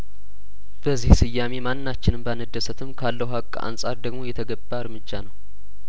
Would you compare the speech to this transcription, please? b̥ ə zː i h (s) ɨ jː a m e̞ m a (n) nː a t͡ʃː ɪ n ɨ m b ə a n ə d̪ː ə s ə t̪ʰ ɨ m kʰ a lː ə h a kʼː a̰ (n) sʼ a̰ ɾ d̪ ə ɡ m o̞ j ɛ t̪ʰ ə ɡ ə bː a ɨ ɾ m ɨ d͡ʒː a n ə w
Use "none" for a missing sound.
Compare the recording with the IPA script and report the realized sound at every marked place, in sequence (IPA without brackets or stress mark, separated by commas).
s, n, n